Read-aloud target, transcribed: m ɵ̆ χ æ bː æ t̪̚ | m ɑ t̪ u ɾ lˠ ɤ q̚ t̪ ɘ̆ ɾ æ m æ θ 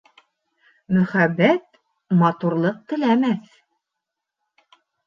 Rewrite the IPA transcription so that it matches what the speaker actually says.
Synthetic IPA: m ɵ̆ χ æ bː æ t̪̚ | m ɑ t̪ u ɾ lˠ ɤ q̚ t̪ ɘ̆ l æ m æ θ

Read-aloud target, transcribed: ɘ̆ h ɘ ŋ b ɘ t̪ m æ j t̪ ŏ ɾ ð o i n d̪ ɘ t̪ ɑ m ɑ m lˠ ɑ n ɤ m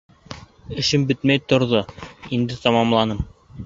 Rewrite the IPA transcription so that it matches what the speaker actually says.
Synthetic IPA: ɘ̆ ʃ ɘ m b ɘ t̪ m æ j t̪ ŏ ɾ ð o i n d̪ ɘ t̪ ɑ m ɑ m lˠ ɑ n ɤ m

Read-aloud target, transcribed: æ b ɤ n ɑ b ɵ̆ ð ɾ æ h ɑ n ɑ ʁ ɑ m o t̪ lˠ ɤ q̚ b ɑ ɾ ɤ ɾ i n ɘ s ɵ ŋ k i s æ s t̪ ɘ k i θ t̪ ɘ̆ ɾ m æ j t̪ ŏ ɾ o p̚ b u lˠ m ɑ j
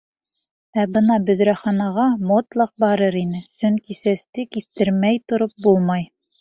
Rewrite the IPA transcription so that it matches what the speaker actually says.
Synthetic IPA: æ b ɤ n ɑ b ɵ̆ ð ɾ æ χ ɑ n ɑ ʁ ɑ m o t̪ lˠ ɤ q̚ b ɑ ɾ ɤ ɾ i n ɘ s ɵ ŋ k i s æ s t̪ ɘ k i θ t̪ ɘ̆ ɾ m æ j t̪ ŏ ɾ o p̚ b u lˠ m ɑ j

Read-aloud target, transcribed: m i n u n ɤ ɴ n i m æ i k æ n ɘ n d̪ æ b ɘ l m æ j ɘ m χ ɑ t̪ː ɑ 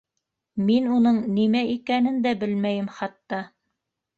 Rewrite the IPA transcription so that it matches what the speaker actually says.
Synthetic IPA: m i n u n ɤ ɴ n i m æ i k æ n ɘ n d̪ æ b ɘ l m æ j ɘ m χ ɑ t̪ː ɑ

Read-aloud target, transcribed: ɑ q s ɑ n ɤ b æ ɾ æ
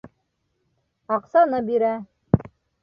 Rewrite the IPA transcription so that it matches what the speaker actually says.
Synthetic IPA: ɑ q s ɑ n ɤ b i ɾ æ

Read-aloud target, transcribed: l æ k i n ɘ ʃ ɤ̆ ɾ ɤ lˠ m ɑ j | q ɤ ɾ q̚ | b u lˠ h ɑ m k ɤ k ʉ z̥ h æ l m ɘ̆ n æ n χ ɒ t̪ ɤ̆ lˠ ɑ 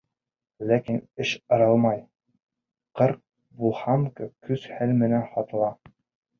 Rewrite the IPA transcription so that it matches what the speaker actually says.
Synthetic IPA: l æ k i n ɘ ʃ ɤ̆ ɾ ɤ lˠ m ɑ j | q ɤ ɾ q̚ | b u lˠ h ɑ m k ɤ k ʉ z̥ h æ l m ɘ̆ n æ n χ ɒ t̪ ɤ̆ lˠ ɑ

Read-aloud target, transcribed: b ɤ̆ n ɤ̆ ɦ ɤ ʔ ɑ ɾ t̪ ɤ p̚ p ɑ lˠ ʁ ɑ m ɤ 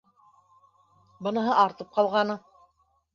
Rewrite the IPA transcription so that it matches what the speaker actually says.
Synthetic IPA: b ɤ̆ n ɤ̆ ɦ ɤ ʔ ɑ ɾ t̪ ɤ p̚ q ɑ lˠ ʁ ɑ n ɤ

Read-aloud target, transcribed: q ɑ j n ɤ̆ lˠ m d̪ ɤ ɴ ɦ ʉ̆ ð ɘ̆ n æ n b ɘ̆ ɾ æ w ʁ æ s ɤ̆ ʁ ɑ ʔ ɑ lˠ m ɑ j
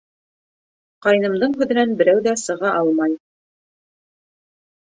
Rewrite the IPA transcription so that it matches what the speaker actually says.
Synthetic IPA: q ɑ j n ɤ̆ m d̪ ɤ ɴ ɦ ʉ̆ ð ɘ̆ n æ n b ɘ̆ ɾ æ w ð æ s ɤ̆ ʁ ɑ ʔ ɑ lˠ m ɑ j

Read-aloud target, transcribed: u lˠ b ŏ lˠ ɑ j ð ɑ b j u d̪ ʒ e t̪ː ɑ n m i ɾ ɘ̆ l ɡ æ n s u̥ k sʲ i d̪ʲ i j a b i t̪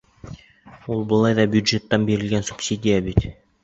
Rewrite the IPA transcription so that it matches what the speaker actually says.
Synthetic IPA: u lˠ b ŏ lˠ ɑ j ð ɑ b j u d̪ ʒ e t̪ː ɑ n b i ɾ ɘ̆ l ɡ æ n s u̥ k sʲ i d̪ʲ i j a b i t̪

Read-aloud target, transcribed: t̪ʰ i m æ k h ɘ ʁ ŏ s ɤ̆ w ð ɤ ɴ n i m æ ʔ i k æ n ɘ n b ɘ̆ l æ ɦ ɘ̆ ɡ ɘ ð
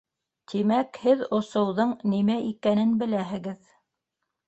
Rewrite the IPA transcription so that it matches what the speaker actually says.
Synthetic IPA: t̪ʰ i m æ k h ɘ ð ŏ s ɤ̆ w ð ɤ ɴ n i m æ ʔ i k æ n ɘ n b ɘ̆ l æ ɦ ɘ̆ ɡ ɘ ð

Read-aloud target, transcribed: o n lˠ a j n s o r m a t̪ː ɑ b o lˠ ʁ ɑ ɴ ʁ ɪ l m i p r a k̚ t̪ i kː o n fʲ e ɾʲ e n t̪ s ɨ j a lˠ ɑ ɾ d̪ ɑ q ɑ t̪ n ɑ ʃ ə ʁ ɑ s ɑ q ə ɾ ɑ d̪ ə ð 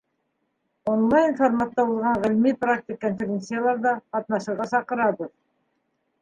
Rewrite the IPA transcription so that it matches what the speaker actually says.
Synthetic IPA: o n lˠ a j n f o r m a t̪ː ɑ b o lˠ ʁ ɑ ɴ ʁ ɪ l m i p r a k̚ t̪ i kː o n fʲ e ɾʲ e n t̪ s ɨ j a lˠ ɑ ɾ d̪ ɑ q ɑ t̪ n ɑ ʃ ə ʁ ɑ s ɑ q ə ɾ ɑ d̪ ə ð

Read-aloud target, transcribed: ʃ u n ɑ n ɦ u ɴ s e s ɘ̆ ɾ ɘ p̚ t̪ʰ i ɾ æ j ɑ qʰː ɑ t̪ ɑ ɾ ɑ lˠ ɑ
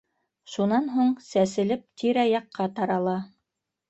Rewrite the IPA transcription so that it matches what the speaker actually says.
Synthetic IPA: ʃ u n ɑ n ɦ u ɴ s æ s ɘ̆ l ɘ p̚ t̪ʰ i ɾ æ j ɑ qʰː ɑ t̪ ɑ ɾ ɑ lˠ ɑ

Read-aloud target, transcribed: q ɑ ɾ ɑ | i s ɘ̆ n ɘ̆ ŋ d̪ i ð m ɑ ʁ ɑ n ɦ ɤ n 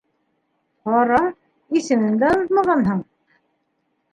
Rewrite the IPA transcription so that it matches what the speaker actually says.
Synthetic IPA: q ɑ ɾ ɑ | i s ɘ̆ m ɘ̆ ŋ d̪ æ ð m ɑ ʁ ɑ n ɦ ɤ ɴ

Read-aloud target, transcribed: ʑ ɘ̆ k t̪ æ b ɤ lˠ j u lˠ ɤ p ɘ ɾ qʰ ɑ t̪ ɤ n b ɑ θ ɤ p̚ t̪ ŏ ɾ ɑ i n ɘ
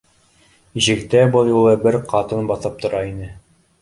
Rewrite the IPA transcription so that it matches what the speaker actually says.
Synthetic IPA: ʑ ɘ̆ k t̪ æ b ɤ lˠ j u lˠ ɤ b ɘ ɾ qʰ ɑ t̪ ɤ n b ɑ θ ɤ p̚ t̪ ŏ ɾ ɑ i n ɘ

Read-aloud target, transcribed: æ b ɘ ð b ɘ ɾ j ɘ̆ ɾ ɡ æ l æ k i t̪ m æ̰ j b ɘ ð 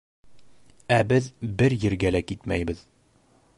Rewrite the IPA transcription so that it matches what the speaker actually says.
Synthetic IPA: æ b ɘ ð b ɘ ɾ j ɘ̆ ɾ ɡ æ l æ k i t̪ m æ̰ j b ɘ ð

